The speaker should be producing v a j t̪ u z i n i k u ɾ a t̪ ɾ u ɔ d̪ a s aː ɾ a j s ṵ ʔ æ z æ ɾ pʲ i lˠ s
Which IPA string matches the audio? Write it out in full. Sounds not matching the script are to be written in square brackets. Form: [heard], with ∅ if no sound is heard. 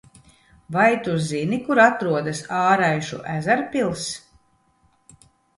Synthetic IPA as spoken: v a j t̪ u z i n i k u ɾ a t̪ ɾ u ɔ d̪ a s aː ɾ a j [ʃ] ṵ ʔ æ z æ ɾ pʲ i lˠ s